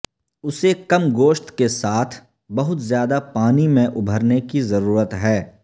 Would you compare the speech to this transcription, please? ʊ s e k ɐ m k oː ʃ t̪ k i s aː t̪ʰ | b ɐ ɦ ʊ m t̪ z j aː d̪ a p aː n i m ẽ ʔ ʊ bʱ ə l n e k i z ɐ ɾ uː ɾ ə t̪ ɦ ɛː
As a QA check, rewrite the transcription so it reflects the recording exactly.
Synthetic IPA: ʊ s e k ɐ m ɡ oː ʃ t̪ k e s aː t̪ʰ | b ɐ ɦ ʊ t̪ z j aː d̪ a p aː n i m ẽ ʔ ʊ bʱ ə ɾ n e k i z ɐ ɾ uː ɾ ə t̪ ɦ ɛː